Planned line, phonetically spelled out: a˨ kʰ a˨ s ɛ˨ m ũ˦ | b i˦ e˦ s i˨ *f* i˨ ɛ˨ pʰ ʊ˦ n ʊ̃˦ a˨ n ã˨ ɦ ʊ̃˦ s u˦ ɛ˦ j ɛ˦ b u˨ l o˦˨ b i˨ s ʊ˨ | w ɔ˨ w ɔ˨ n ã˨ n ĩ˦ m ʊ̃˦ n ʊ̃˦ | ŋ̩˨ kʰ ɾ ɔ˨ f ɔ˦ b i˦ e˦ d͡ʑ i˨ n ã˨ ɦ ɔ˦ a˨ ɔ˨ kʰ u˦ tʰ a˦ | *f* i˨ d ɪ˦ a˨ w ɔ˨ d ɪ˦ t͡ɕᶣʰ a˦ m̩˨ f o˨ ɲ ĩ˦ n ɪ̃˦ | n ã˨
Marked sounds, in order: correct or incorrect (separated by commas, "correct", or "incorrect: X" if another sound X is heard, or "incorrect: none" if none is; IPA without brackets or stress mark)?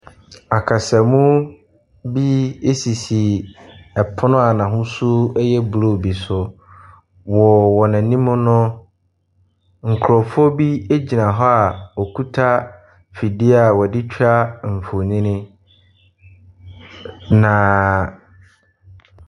incorrect: s, correct